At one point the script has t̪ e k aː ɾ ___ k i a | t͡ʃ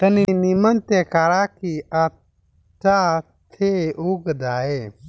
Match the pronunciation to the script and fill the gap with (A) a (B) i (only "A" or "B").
A